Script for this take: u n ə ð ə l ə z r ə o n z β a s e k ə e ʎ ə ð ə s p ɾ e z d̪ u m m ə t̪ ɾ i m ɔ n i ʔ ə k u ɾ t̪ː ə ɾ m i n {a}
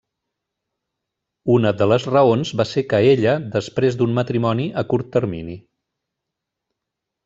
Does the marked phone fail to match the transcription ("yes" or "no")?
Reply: yes